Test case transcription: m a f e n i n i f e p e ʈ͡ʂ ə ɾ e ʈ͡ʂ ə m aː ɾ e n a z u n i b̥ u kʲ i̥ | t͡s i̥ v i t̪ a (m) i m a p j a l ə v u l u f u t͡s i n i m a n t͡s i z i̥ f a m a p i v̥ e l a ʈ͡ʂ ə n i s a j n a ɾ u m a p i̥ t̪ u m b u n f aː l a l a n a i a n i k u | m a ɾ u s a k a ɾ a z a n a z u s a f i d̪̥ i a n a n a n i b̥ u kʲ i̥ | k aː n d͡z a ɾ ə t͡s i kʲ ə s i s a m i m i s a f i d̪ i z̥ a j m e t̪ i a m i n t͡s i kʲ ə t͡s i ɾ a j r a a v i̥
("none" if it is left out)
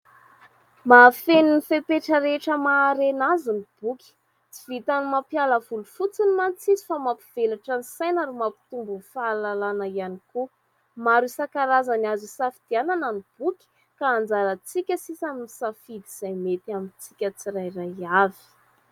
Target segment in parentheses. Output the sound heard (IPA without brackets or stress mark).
n